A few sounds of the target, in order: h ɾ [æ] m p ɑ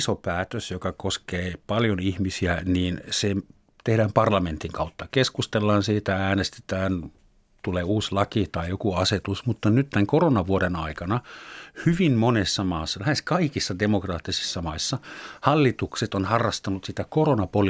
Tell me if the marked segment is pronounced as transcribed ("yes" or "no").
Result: no